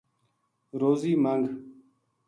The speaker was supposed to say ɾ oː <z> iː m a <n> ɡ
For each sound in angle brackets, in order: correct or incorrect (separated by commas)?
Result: correct, incorrect